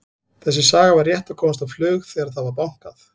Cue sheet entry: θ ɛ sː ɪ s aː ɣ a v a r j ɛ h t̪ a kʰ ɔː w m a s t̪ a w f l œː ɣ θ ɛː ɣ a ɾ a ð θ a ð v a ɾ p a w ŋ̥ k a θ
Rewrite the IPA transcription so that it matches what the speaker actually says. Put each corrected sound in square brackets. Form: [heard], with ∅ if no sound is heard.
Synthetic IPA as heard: θ ɛ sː ɪ s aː ɣ a v a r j ɛ h t̪ a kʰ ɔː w m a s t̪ a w f l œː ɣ θ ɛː ɣ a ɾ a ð θ a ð v a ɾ p a w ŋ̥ k a θ